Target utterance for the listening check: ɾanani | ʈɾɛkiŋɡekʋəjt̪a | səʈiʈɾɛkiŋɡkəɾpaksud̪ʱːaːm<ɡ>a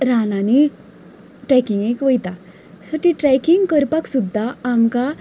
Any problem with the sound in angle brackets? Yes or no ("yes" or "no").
yes